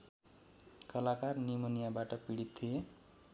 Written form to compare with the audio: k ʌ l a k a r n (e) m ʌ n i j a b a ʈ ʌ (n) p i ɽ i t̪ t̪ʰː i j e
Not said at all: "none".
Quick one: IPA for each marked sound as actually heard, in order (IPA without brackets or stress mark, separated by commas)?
i, none